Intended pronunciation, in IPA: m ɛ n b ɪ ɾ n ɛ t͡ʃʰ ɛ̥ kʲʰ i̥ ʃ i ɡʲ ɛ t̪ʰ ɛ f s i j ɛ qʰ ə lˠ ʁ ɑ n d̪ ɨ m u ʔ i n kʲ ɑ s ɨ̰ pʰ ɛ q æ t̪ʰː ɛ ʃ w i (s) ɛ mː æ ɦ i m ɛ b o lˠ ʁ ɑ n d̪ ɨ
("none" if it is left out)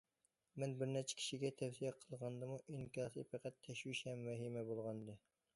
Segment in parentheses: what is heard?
ʃ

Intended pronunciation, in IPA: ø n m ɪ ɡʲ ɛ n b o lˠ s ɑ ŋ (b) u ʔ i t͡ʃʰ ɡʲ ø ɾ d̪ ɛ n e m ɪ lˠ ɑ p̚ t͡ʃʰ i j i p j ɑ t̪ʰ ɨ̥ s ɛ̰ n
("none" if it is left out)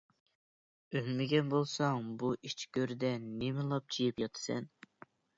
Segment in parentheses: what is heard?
b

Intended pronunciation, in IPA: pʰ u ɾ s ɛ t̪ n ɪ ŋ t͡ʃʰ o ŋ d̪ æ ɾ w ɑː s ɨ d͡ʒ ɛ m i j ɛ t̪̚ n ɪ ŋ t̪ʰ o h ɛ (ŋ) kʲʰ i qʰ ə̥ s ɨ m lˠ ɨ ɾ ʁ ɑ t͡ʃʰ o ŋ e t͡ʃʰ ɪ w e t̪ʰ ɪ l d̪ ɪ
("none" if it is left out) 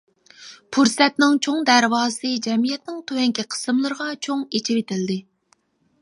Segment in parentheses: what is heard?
ŋ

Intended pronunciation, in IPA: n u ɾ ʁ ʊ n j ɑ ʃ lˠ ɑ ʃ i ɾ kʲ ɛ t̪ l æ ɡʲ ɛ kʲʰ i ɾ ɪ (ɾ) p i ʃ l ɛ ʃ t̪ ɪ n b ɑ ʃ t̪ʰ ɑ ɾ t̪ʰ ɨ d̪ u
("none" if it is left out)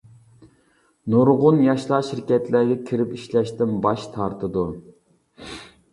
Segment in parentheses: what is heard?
none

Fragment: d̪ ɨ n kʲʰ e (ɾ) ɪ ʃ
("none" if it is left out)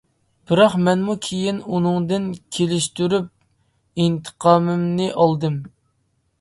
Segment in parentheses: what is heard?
l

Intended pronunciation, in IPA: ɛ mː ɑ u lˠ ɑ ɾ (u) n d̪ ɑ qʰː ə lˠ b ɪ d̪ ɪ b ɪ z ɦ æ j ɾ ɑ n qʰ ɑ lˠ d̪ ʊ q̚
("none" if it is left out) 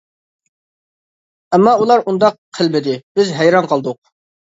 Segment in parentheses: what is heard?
u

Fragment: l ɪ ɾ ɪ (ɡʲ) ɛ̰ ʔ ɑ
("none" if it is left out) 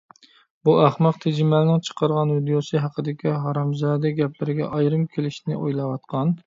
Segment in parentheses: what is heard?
ɡʲ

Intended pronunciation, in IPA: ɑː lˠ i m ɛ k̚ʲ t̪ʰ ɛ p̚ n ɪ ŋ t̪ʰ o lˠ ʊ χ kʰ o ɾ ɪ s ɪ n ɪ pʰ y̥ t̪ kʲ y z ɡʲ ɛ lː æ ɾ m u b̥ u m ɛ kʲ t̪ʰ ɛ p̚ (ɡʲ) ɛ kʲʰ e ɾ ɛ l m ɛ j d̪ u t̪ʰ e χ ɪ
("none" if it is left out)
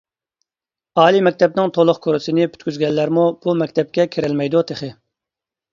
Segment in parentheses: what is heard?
kʲ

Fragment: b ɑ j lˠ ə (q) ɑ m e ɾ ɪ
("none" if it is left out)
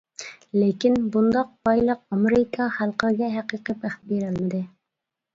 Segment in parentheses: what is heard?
q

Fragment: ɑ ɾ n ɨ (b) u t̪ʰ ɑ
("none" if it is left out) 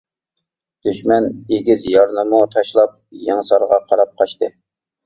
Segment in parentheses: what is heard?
m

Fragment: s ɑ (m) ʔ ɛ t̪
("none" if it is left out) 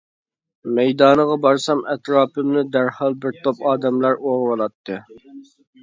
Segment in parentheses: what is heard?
m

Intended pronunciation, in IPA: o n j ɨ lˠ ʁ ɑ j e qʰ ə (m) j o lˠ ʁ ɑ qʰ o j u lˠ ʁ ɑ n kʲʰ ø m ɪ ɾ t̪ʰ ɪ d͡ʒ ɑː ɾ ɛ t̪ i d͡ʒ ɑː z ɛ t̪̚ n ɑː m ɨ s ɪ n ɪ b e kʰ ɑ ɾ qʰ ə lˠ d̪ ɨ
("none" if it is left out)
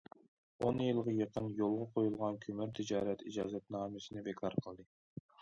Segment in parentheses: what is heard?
n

